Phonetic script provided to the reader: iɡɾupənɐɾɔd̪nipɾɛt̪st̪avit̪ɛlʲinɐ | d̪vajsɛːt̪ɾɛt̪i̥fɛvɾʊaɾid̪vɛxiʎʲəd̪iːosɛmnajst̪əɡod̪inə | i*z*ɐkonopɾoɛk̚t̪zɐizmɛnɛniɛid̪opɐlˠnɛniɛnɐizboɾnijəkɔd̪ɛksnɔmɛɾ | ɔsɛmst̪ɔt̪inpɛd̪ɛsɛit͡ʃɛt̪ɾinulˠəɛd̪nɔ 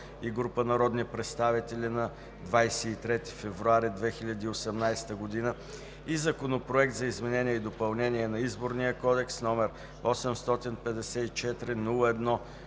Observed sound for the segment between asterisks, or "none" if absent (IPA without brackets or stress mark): z